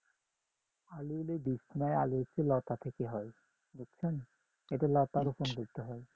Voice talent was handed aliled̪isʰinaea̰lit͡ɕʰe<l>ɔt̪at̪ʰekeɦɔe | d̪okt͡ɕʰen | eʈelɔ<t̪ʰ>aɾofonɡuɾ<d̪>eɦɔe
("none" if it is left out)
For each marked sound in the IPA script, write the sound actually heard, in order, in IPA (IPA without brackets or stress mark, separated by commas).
l, t̪, t̪